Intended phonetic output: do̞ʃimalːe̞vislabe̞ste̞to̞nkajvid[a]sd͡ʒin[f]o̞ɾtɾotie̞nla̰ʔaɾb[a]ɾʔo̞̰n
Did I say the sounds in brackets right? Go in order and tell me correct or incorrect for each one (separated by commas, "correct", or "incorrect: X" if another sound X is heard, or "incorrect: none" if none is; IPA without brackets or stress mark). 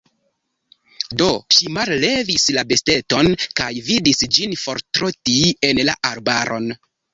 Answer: incorrect: i, correct, correct